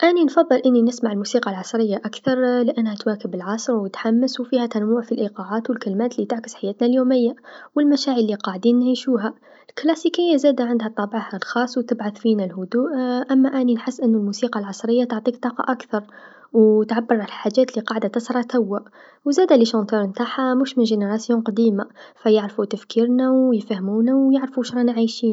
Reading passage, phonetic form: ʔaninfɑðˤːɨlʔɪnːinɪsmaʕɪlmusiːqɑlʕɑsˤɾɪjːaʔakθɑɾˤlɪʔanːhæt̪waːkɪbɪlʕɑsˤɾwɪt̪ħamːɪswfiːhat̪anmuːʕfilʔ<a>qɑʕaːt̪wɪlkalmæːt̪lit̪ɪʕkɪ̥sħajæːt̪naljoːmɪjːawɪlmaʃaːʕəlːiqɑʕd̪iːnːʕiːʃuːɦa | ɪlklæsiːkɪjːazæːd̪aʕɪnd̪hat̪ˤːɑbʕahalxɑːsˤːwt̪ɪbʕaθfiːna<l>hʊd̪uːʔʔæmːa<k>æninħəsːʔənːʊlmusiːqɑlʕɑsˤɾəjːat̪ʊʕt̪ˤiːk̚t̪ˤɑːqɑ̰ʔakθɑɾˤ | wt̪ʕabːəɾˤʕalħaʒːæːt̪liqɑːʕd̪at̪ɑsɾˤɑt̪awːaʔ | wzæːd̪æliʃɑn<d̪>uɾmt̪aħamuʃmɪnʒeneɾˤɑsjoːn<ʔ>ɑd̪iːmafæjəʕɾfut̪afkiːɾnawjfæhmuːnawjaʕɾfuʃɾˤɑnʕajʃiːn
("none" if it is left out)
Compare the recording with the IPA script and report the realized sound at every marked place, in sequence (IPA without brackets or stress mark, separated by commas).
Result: i, l, ʔ, t̪, q